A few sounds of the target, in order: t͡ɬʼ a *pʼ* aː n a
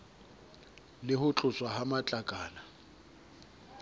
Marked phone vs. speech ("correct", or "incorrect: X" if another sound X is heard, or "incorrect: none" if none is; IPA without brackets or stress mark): incorrect: kʼ